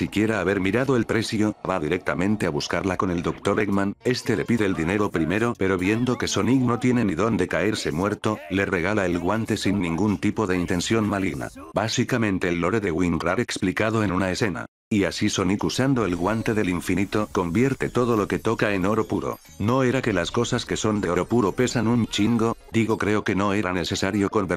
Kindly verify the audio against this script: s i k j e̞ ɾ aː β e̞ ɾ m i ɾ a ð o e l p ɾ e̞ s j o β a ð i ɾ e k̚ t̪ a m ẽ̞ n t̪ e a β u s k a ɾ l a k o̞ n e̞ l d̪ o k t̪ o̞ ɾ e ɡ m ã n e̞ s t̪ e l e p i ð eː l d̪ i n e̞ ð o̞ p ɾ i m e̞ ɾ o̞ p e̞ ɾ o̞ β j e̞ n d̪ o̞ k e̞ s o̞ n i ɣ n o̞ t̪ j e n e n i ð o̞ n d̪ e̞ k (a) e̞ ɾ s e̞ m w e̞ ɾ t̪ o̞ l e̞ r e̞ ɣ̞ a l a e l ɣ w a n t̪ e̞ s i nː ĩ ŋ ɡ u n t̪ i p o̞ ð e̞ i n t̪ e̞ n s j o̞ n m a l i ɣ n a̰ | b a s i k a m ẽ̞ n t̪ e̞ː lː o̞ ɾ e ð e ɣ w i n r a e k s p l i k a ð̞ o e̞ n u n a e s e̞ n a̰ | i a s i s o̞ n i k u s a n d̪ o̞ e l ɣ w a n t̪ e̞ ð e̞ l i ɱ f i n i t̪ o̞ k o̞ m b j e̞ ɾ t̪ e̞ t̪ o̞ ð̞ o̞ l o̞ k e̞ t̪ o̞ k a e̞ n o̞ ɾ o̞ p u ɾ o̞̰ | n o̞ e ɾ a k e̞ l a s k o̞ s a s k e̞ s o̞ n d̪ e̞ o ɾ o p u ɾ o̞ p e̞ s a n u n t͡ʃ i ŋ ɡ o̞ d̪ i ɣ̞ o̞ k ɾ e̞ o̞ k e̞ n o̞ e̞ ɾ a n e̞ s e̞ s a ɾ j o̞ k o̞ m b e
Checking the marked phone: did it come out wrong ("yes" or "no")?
no